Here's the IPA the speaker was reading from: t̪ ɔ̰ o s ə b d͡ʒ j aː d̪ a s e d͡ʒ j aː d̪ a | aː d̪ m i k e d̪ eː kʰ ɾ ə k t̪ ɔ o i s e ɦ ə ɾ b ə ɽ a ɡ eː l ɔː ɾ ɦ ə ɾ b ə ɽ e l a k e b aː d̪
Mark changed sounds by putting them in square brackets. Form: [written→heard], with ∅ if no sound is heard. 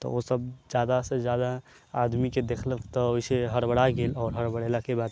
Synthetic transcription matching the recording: t̪ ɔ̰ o s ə b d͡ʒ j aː d̪ a s e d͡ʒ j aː d̪ a | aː d̪ m i k e d̪ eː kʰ [ɾ→l] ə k t̪ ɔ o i s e ɦ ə ɾ b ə ɽ a ɡ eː l ɔː ɾ ɦ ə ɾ b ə ɽ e l a k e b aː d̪